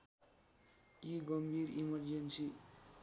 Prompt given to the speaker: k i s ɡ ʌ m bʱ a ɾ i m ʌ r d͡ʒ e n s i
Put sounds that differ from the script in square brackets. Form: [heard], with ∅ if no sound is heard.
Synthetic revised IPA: k i [∅] ɡ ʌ m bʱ [i] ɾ i m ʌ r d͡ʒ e n s i